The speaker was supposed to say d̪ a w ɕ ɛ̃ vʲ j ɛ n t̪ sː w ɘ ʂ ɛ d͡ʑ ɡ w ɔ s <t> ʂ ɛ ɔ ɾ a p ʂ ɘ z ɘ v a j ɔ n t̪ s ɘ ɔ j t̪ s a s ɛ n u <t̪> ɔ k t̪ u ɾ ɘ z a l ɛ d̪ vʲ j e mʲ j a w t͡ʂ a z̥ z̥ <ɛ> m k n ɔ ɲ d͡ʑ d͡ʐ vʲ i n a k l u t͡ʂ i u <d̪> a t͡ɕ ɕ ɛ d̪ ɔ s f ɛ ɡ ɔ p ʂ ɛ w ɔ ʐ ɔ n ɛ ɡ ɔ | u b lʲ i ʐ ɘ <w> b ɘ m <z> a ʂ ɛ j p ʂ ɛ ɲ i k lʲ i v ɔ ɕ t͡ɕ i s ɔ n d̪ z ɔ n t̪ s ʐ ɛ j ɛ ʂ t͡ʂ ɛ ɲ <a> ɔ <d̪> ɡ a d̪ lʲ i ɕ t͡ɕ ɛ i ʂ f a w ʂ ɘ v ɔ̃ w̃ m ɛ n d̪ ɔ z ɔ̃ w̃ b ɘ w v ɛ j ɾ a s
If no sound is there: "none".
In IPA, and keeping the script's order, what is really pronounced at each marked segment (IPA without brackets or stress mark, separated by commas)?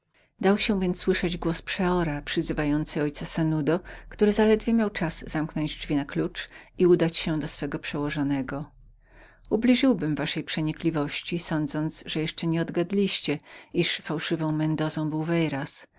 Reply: p, d̪, a, d̪, w, v, ɛ, d̪